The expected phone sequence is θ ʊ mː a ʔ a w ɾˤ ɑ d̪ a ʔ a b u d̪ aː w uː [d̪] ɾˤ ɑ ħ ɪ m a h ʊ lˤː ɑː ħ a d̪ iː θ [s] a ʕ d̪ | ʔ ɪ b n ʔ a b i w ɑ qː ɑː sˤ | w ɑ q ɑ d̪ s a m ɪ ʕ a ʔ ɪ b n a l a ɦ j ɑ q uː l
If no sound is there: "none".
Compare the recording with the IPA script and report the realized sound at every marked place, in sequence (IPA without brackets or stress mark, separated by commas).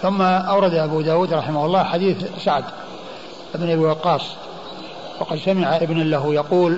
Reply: d̪, s